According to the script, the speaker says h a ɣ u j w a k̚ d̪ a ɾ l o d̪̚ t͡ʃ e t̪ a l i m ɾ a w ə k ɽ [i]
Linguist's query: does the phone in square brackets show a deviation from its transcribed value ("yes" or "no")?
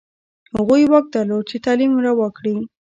no